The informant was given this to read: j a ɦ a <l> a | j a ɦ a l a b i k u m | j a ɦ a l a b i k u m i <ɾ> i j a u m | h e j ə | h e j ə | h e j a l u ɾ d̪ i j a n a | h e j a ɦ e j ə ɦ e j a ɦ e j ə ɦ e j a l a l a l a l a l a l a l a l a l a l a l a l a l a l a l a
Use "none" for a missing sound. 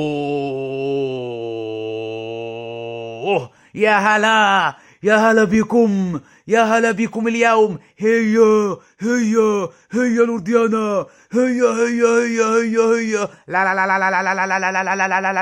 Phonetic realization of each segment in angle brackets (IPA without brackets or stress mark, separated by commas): l, l